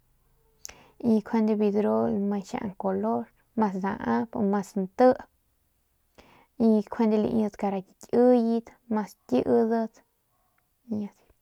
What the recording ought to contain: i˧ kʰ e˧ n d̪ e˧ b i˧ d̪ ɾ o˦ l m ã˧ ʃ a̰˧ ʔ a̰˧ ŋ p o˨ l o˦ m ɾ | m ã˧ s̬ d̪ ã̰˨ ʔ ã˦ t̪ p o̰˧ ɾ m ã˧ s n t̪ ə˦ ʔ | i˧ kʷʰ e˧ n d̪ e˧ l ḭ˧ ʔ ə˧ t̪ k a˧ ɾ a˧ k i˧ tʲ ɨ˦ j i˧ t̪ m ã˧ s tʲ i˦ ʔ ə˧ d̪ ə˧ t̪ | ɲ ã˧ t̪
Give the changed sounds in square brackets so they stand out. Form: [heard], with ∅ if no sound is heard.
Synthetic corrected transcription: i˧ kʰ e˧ n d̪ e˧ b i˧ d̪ ɾ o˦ l m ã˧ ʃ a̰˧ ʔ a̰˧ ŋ [k] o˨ l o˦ [∅] ɾ | m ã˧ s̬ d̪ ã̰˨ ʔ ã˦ [∅] p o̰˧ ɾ m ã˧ s n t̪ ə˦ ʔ | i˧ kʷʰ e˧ n d̪ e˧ l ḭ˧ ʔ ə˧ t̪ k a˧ ɾ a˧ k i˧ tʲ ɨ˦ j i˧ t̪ m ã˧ s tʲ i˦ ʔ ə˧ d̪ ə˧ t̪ | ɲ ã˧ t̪